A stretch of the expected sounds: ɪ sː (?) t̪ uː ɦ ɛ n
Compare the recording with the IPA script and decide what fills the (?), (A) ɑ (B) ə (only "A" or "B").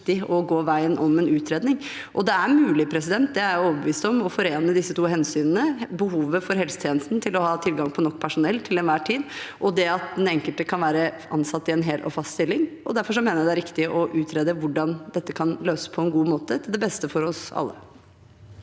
B